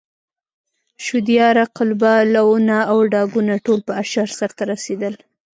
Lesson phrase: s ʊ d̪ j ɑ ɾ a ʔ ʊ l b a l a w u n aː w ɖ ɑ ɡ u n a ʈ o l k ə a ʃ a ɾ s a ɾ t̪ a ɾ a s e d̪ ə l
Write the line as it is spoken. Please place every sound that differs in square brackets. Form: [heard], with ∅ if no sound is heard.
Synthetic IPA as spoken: [ʃ] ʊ d̪ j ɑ ɾ a [q] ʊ l b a l a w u n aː w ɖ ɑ ɡ u n a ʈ o l [p] ə a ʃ a ɾ s a ɾ t̪ a ɾ a s e d̪ ə l